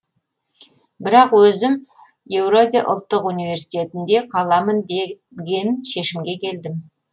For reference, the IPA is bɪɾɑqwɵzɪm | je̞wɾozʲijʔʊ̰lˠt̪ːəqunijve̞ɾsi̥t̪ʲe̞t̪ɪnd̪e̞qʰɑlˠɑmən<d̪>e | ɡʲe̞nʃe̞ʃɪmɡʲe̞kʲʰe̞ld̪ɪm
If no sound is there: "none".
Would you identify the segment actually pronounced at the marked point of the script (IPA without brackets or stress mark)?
d̪